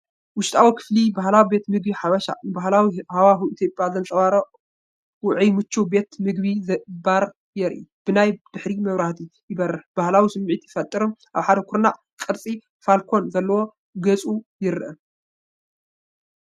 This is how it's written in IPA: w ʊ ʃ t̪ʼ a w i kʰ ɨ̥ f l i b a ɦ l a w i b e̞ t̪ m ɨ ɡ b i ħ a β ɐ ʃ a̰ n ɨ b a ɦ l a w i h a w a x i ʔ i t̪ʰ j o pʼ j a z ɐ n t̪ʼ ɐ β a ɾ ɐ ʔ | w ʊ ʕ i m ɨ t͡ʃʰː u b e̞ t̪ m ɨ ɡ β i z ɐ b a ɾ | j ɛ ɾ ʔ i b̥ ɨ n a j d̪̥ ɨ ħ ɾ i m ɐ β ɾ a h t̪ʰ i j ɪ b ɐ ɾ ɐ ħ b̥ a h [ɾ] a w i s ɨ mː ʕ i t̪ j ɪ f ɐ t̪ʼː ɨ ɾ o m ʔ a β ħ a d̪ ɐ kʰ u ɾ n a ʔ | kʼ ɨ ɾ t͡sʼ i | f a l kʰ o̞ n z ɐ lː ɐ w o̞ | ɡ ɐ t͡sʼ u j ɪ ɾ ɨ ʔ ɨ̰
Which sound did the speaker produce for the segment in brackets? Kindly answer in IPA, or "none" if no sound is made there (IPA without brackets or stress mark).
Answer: l